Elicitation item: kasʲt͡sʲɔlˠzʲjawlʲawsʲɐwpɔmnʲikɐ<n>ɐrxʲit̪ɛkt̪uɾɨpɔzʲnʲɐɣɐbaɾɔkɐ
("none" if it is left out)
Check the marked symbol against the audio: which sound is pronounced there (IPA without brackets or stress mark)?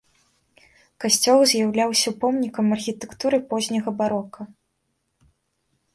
m